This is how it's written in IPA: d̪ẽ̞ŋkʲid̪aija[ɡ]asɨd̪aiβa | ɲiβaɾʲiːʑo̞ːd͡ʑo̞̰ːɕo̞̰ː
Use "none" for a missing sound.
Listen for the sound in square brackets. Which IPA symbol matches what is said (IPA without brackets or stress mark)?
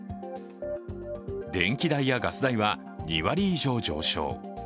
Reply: ɡ